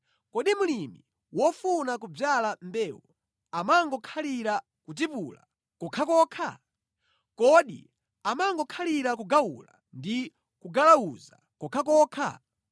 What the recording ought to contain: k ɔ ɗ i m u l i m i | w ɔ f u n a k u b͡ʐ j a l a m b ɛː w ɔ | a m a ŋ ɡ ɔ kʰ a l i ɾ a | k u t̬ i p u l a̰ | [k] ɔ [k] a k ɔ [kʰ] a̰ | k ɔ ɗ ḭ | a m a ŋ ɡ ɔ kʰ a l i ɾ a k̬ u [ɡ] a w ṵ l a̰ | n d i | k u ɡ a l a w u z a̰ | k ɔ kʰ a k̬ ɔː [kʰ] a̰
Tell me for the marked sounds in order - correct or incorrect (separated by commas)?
correct, incorrect, correct, correct, correct